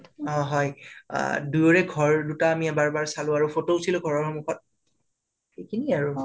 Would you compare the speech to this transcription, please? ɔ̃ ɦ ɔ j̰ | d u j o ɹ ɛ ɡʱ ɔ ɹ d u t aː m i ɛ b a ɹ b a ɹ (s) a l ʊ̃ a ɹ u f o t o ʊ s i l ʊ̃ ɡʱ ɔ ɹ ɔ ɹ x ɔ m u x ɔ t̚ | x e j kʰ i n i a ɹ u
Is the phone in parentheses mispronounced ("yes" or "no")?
no